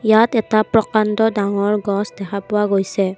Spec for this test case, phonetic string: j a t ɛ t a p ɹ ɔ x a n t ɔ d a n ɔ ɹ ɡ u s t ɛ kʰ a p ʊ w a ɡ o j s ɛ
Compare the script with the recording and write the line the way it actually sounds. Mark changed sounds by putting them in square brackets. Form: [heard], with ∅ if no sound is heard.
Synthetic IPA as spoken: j a t ɛ t a p ɹ ɔ [k] a n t ɔ d a [ŋ] ɔ ɹ ɡ [ɔ] s [d] ɛ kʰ a p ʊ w a ɡ o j s ɛ